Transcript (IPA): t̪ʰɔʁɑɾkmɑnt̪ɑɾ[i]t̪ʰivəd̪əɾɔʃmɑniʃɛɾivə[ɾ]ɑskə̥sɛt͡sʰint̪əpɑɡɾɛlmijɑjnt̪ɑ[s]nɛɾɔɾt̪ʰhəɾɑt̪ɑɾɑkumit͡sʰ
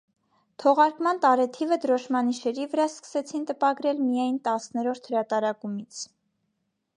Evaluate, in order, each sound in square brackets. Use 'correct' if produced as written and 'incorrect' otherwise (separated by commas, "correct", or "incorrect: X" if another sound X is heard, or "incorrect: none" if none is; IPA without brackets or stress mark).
incorrect: ɛ, correct, correct